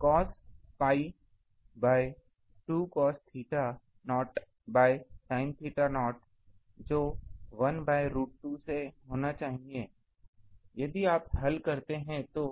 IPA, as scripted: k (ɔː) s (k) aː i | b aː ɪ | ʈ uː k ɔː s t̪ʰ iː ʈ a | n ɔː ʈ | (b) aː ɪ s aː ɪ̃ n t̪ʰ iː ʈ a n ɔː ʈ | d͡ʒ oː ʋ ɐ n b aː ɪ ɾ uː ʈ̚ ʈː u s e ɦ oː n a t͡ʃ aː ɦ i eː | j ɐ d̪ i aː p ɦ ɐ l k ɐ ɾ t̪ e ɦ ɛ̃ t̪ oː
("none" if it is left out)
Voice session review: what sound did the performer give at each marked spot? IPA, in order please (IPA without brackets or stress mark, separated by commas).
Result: ɔː, p, b